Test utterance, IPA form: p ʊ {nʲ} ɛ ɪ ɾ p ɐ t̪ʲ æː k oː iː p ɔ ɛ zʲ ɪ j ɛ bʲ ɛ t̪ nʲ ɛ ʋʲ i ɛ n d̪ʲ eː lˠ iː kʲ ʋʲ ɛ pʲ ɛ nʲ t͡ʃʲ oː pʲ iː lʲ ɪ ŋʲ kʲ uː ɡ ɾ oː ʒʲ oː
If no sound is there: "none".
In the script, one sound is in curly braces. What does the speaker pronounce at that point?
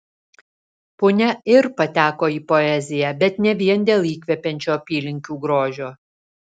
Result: nʲ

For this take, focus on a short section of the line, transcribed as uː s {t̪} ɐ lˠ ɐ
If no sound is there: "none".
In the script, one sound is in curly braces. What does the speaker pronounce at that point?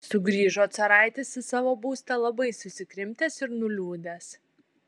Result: t̪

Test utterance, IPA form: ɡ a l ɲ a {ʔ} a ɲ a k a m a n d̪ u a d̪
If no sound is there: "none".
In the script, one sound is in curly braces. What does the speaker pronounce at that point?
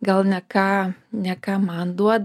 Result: k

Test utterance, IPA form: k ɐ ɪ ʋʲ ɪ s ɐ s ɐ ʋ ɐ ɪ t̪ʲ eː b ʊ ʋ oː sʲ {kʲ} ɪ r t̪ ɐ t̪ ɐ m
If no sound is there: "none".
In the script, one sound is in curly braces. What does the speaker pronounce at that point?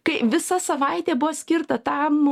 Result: kʲ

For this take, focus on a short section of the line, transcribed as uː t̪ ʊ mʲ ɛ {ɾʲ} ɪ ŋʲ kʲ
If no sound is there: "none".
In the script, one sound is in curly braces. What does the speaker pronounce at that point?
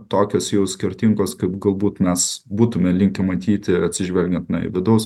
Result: lʲ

